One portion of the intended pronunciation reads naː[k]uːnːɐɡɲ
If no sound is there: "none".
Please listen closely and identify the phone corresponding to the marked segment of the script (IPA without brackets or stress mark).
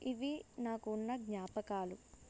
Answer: k